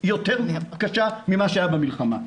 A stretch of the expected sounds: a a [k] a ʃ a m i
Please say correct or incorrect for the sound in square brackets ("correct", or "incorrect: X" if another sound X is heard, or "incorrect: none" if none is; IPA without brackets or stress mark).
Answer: correct